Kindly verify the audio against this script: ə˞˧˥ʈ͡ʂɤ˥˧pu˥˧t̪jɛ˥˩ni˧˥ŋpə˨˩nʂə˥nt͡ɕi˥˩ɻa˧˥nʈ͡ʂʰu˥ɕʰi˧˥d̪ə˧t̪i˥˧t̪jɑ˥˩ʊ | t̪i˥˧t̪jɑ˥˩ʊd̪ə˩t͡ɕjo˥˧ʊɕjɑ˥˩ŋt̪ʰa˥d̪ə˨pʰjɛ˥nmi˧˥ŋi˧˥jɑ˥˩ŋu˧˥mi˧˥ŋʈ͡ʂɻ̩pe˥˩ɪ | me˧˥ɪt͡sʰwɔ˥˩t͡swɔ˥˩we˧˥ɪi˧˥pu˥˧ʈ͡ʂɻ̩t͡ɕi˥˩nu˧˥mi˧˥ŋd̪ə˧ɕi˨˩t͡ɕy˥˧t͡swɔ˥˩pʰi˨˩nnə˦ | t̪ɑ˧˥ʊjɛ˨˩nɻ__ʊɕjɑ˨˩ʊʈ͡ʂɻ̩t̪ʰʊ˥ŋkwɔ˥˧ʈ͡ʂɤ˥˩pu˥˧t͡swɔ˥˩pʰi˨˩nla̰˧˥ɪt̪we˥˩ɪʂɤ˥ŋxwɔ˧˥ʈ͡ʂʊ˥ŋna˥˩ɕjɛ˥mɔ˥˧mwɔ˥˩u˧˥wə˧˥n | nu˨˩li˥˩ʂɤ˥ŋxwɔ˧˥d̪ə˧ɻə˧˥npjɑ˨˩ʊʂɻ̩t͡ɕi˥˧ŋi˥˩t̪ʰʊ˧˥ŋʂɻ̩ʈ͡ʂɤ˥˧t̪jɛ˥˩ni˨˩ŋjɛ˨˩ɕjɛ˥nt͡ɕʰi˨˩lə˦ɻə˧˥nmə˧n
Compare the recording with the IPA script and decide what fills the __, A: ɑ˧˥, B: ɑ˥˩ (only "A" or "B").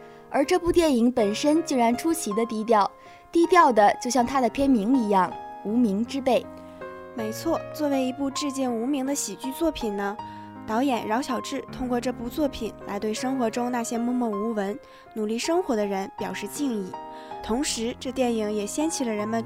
A